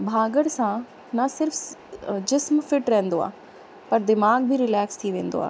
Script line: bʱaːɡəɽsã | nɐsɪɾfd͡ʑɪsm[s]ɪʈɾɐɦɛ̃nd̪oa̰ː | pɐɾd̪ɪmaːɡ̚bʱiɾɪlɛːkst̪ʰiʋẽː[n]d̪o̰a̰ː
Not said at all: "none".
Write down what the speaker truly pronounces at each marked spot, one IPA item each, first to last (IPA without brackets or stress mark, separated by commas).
f, n